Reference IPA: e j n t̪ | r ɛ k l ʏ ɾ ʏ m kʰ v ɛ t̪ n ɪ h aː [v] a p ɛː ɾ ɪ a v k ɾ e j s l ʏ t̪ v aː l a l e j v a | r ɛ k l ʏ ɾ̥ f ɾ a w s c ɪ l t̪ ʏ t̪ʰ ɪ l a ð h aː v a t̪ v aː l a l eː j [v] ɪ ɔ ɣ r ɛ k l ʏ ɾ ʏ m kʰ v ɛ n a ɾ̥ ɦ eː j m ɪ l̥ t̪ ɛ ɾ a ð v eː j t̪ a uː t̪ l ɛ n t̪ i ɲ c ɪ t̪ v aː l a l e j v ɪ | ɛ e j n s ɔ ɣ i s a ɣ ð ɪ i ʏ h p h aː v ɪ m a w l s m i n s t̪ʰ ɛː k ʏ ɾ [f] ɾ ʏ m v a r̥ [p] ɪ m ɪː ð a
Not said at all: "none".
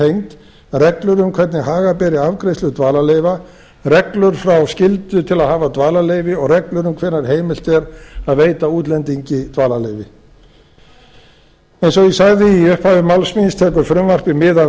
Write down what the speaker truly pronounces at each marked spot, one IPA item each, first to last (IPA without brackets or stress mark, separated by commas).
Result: ɣ, v, f, p